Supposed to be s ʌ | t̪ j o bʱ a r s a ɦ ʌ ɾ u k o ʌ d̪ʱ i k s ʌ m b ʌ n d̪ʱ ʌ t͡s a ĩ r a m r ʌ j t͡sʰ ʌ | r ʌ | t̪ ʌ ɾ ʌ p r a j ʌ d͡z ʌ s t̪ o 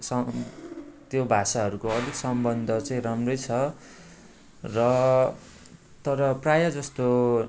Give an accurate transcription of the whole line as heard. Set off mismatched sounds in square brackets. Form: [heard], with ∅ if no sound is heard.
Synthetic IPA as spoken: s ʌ | t̪ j o bʱ a [∅] s a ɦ ʌ ɾ u k o ʌ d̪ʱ i k s ʌ m b ʌ n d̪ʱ ʌ t͡s a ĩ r a m r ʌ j t͡sʰ ʌ | r ʌ | t̪ ʌ ɾ ʌ p r a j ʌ d͡z ʌ s t̪ o